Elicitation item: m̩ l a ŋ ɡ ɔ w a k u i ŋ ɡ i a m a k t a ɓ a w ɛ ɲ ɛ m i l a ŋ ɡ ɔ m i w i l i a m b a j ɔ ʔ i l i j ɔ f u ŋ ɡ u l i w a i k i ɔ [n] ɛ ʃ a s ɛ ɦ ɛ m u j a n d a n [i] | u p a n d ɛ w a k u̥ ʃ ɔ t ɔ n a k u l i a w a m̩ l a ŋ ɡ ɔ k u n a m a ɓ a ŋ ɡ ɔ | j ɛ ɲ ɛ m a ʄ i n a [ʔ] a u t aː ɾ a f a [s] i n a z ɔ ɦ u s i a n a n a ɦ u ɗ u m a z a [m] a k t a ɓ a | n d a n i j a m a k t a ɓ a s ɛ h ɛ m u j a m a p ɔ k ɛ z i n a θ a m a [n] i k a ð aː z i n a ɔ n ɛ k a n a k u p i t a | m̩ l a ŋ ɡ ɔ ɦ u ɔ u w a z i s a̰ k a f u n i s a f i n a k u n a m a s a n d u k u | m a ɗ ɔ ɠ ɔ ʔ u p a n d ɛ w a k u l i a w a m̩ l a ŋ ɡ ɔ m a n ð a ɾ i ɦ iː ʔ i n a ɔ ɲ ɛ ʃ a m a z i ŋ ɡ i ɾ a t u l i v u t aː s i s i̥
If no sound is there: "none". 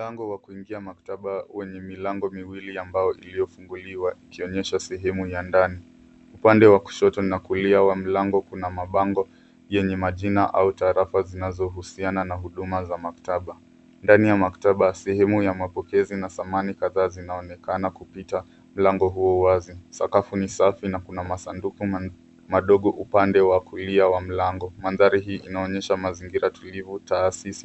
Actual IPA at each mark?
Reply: ɲ, i, ʔ, z, m, n

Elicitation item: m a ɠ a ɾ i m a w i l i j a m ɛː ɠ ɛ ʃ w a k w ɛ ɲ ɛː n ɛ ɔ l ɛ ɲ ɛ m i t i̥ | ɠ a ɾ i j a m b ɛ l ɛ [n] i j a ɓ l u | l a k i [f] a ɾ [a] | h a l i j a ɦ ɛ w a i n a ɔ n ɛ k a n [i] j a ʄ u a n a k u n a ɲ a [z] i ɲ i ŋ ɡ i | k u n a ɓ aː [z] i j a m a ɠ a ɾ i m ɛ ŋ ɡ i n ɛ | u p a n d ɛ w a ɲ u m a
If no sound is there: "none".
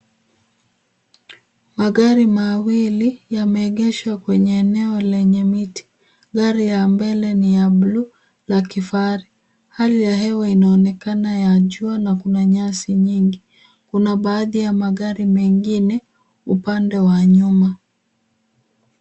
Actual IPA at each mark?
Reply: n, f, i, a, s, ð

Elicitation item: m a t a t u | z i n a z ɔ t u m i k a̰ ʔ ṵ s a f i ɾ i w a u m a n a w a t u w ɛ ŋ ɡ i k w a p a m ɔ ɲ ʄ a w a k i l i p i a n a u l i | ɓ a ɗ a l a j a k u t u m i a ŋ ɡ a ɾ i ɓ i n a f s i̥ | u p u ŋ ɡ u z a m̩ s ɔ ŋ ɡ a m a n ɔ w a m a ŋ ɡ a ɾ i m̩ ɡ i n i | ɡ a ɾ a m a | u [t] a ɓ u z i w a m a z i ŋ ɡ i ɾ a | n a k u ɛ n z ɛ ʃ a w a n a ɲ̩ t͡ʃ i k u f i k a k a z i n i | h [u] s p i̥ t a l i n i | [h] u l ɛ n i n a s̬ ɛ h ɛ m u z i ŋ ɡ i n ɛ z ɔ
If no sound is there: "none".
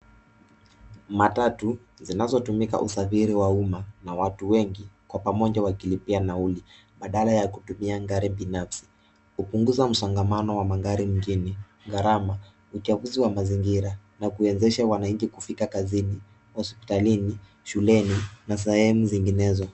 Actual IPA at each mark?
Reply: t͡ʃ, ɔ, ʃ

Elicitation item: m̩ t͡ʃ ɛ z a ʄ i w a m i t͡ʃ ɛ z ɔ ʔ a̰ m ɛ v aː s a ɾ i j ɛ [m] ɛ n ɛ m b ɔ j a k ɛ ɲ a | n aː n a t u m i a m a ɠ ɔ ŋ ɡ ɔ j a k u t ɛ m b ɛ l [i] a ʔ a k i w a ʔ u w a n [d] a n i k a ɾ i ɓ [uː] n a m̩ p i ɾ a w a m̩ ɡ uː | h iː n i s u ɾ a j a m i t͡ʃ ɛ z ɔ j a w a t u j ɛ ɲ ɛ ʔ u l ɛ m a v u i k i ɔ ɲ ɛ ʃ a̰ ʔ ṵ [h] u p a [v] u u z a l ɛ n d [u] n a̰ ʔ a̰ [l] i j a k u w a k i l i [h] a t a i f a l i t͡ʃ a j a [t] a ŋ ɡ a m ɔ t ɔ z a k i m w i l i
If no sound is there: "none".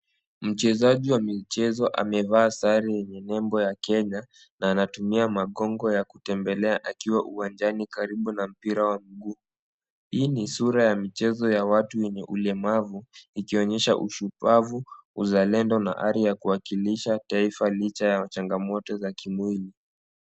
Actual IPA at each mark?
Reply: ɲ, ɛ, d͡ʒ, u, ʃ, v, ɔ, ɾ, ʃ, t͡ʃ

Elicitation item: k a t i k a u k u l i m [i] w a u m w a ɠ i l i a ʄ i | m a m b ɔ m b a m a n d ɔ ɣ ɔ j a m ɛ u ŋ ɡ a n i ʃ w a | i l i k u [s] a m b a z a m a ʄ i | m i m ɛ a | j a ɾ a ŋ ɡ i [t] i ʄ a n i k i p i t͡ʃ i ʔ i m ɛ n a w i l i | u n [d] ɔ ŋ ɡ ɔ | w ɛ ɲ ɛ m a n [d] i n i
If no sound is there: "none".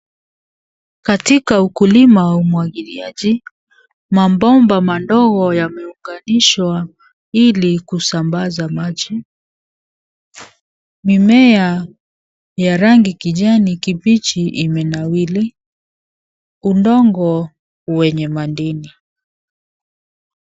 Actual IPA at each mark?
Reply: a, s, k, d, d

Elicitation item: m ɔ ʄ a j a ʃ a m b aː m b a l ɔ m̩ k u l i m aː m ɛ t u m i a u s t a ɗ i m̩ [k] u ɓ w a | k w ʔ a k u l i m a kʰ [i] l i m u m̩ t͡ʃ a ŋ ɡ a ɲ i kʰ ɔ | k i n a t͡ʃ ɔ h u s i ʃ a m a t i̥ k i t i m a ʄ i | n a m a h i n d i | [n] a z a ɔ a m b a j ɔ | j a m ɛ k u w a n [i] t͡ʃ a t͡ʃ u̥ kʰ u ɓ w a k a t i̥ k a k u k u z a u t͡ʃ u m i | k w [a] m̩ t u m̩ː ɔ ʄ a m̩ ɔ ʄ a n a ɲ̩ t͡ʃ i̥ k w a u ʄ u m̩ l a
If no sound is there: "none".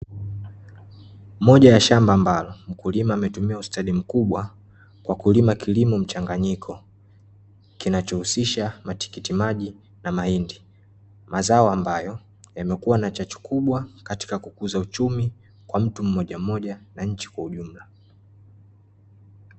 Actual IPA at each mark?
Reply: k, i, m, a, a

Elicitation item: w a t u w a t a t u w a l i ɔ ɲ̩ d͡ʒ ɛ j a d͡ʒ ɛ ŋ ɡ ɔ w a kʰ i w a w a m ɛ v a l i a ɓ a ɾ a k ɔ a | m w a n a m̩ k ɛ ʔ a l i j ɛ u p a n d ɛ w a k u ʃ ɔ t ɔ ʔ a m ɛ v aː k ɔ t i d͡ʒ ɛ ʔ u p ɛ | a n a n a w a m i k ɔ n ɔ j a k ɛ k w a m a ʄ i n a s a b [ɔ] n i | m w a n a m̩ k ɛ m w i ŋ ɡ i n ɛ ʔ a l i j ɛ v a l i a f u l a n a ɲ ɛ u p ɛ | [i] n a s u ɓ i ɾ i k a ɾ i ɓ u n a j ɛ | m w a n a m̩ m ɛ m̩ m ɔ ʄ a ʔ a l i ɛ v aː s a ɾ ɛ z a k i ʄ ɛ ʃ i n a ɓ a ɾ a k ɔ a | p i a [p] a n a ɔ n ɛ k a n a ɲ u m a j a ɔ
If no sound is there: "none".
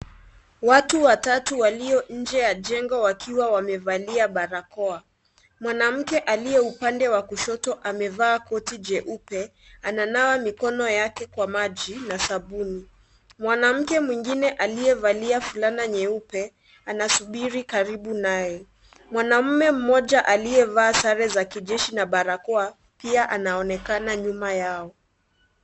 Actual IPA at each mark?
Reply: u, a, ʔ

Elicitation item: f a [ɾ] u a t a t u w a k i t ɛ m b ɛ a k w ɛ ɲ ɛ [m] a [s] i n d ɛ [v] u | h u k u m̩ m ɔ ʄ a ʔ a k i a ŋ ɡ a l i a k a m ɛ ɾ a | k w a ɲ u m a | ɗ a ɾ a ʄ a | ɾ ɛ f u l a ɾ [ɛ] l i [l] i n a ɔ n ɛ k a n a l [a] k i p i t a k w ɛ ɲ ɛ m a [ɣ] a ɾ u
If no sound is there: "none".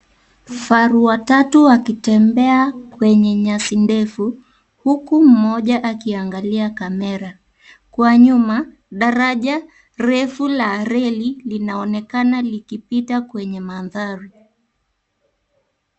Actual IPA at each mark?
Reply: ɾ, ɲ, s, f, ɛ, l, i, ð

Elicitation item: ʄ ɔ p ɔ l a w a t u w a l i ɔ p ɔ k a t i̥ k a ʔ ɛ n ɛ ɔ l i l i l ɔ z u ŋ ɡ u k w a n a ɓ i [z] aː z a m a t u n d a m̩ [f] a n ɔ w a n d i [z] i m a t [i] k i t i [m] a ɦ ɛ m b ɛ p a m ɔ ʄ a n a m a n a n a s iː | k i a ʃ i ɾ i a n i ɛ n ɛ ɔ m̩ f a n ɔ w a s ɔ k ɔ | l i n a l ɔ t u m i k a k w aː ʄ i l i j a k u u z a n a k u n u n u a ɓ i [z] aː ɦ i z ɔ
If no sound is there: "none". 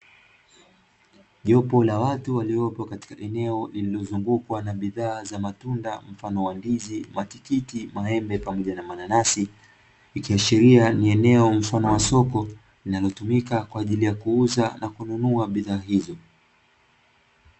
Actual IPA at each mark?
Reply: ð, f, z, i, m, ð

